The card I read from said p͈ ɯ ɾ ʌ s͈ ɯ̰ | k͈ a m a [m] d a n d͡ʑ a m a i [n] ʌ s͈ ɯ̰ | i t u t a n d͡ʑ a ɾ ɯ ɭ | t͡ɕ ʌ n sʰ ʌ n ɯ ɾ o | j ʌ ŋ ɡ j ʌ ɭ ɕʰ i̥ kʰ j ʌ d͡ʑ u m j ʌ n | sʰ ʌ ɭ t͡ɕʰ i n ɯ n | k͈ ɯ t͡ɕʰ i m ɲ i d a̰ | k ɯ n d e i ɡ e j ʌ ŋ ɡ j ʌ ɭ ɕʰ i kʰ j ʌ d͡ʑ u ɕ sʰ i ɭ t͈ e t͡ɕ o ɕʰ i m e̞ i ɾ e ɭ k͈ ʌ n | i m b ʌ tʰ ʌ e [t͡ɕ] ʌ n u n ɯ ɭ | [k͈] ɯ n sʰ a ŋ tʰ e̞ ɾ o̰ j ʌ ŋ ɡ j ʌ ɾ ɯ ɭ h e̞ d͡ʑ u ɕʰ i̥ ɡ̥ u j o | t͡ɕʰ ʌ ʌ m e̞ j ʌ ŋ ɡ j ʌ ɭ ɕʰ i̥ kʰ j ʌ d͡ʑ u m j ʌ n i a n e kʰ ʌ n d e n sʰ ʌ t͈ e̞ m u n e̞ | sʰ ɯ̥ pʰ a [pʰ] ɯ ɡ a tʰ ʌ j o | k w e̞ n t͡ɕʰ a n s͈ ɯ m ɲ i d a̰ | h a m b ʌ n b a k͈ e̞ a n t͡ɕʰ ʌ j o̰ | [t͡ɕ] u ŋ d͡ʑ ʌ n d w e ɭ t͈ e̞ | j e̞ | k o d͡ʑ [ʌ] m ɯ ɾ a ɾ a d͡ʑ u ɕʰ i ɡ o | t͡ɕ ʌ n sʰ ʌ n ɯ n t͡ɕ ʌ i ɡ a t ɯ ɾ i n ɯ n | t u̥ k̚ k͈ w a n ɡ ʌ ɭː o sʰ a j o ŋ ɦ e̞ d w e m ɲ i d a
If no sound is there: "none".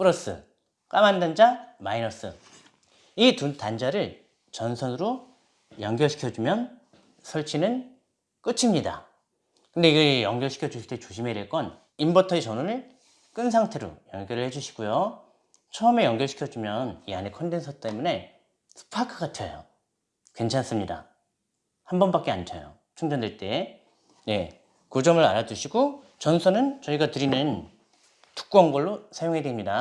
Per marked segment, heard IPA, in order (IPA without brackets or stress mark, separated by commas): n, n, t͡ɕ, k͈, kʰ, t͡ɕʰ, ʌ